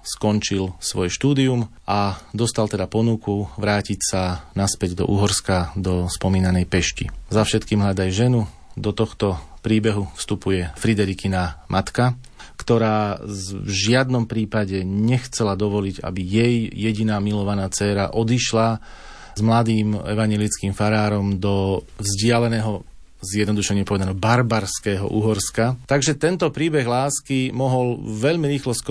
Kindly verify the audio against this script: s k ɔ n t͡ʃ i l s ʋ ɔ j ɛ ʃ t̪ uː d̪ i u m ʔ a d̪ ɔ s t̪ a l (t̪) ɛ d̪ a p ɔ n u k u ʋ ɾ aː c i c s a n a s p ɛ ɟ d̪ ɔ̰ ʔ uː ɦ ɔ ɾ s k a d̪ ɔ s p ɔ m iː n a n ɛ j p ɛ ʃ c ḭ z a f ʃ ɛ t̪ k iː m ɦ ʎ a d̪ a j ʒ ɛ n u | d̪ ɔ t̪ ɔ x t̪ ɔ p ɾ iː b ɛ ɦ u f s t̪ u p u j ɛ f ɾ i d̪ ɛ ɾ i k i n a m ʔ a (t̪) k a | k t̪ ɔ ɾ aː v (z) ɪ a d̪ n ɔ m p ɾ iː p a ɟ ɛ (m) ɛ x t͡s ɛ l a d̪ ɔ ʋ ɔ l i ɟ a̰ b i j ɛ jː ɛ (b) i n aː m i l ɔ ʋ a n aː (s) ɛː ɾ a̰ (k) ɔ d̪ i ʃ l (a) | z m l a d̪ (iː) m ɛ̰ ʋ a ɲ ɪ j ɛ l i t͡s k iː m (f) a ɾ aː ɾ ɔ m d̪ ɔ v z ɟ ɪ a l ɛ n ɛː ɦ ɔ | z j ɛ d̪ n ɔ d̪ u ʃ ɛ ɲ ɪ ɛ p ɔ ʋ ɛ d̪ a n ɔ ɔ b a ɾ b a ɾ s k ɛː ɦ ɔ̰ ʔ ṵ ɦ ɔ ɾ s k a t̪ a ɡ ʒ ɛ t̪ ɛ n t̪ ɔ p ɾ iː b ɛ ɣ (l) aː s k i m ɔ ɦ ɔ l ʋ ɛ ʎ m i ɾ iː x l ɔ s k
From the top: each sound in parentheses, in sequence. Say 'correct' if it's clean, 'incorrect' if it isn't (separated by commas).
correct, correct, incorrect, incorrect, incorrect, incorrect, incorrect, correct, correct, correct, correct